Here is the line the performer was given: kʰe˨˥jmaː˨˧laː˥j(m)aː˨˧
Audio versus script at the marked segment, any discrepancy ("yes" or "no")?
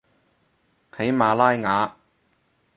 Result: yes